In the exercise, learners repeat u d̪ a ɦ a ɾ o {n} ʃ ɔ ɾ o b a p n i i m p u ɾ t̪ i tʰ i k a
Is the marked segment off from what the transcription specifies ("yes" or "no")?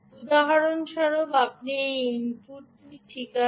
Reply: no